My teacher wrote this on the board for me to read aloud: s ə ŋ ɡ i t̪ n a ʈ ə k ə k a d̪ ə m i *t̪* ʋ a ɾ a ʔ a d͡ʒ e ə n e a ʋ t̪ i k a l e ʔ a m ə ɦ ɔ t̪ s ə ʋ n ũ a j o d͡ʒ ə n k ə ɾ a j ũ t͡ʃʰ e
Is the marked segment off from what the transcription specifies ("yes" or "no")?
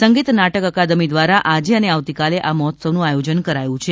yes